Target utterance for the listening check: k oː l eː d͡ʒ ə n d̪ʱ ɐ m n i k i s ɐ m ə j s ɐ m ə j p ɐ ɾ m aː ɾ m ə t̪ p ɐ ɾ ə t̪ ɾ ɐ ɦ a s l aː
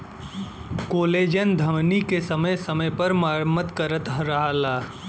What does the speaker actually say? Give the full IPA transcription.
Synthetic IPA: k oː l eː d͡ʒ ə n d̪ʱ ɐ m n i k e s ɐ m ə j s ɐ m ə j p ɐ ɾ m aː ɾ m ə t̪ k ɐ ɾ ə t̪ ɾ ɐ ɦ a l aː